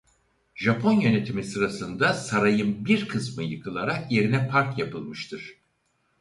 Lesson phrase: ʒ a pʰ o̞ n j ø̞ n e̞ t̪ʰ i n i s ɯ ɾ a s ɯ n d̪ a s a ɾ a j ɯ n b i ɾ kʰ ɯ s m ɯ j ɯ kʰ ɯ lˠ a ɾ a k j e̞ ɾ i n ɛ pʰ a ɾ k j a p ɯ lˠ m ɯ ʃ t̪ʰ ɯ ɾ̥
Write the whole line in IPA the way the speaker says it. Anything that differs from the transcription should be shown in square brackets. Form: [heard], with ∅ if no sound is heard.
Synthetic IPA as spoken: ʒ a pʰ o̞ n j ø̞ n e̞ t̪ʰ i [m] i s ɯ ɾ a s ɯ n d̪ a s a ɾ a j ɯ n b i ɾ kʰ ɯ s m ɯ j ɯ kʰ ɯ lˠ a ɾ a k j e̞ ɾ i n ɛ pʰ a ɾ k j a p ɯ lˠ m ɯ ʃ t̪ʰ ɯ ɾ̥